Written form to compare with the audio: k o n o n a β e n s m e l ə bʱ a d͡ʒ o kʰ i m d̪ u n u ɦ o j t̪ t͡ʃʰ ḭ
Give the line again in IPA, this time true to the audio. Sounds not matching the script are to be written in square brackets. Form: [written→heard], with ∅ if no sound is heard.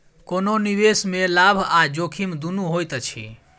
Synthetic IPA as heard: k o n o n [a→i] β e [n→∅] s m e l [ə→a] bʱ a d͡ʒ o kʰ i m d̪ u n u ɦ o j t̪ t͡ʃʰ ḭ